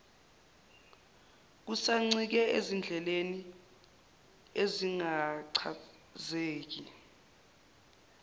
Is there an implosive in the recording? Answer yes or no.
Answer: no